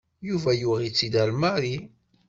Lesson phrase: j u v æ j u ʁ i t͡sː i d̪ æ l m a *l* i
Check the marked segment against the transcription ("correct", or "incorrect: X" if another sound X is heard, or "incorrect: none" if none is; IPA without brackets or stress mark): incorrect: ɾ